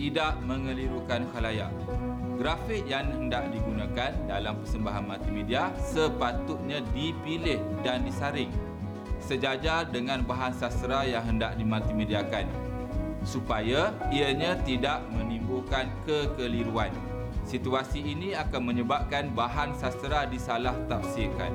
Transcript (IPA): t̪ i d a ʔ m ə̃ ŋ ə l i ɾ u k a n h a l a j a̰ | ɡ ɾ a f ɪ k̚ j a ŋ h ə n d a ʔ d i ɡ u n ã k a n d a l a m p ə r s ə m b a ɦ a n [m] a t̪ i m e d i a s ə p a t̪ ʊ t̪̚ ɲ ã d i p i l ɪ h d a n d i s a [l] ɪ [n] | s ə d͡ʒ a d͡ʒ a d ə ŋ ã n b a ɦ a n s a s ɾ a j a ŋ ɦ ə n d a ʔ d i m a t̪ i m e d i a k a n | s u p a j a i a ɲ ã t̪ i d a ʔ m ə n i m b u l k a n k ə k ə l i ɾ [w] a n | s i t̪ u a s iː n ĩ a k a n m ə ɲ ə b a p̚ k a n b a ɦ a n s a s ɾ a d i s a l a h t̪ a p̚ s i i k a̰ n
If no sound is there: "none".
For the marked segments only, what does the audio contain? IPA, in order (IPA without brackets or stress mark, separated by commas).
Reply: m, ɾ, ŋ, u